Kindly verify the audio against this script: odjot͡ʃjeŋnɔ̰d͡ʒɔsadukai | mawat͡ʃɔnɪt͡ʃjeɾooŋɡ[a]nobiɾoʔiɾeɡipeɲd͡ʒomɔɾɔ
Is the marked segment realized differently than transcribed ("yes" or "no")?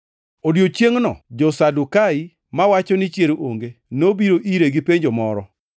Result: yes